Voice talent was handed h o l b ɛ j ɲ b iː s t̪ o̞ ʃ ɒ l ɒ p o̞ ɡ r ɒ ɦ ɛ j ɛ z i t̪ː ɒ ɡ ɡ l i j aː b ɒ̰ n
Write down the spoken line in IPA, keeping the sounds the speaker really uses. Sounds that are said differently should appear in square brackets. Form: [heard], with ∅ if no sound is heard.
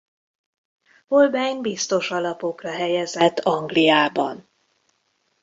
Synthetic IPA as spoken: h o l b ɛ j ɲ b [i] s t̪ o̞ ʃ ɒ l ɒ p o̞ [k] r ɒ ɦ ɛ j ɛ z [ɛ] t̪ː ɒ [ŋ] ɡ l i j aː b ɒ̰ n